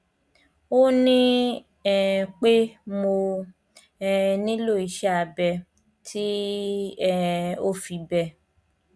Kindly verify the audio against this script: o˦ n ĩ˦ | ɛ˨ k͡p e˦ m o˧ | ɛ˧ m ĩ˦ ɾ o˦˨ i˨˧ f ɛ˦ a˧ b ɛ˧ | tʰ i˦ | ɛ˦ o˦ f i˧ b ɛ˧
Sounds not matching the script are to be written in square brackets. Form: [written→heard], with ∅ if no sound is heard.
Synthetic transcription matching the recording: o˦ n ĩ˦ | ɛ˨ k͡p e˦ m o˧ | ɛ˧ [m→n] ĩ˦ [ɾ→l] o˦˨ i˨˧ [f→ʃ] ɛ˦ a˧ b ɛ˧ | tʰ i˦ | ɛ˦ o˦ f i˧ b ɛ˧